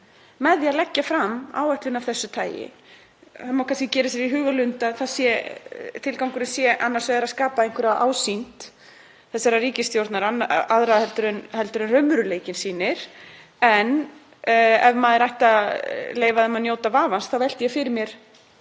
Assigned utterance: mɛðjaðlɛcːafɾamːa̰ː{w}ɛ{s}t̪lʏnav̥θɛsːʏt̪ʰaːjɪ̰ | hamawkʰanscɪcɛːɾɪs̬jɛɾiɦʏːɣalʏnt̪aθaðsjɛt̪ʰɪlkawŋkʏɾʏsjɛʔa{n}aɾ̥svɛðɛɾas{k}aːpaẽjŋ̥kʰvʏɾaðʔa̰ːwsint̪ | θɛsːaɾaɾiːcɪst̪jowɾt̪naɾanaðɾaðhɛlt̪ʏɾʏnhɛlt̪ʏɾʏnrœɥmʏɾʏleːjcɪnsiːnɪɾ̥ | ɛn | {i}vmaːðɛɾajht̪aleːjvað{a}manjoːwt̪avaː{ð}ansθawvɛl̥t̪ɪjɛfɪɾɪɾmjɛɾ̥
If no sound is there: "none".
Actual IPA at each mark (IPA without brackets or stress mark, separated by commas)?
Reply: w, h, nː, k, ɛ, ɛ, v